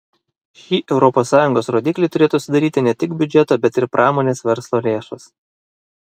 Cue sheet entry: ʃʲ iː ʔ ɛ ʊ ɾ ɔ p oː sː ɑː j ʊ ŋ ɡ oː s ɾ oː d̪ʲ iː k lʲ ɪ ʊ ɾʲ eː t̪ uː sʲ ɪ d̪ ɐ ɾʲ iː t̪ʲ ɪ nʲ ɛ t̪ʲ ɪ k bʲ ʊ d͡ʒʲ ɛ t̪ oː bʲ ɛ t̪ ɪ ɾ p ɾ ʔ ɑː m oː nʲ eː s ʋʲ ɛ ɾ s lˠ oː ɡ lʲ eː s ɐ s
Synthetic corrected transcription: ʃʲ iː ʔ ɛ ʊ ɾ ɔ p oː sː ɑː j ʊ ŋ ɡ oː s ɾ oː d̪ʲ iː k lʲ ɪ ʊ ɾʲ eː t̪ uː sʲ ɪ d̪ ɐ ɾʲ iː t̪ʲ ɪ nʲ ɛ t̪ʲ ɪ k bʲ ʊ d͡ʒʲ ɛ t̪ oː bʲ ɛ t̪ ɪ ɾ p ɾ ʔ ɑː m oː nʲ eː s ʋʲ ɛ ɾ s lˠ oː lʲ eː ʃ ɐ s